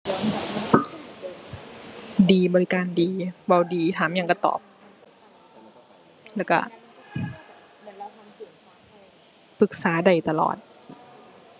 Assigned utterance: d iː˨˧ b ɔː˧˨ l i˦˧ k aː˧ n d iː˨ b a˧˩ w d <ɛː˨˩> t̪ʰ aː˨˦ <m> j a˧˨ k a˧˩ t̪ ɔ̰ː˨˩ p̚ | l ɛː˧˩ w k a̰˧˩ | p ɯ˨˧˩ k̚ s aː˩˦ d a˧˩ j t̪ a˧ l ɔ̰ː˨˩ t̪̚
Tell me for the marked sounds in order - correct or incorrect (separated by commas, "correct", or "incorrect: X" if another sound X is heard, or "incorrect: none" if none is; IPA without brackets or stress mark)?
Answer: incorrect: iː˨˩, correct